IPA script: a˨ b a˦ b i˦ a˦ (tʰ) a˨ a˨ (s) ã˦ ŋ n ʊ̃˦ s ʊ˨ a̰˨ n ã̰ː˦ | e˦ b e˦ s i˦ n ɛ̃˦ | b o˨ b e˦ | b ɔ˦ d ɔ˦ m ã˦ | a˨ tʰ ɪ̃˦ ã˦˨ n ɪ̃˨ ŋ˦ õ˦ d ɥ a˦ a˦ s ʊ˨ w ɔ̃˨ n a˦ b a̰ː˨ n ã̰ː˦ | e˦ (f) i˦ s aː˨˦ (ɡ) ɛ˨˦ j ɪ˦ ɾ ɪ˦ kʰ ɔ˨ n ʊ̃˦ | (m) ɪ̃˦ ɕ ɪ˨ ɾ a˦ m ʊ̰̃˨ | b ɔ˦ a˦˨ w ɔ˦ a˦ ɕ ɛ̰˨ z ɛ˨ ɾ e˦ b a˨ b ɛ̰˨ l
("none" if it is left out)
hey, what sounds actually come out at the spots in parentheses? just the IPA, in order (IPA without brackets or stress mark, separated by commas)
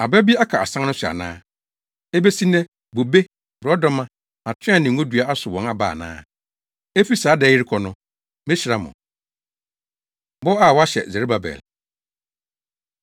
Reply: kʰ, s, f, d, m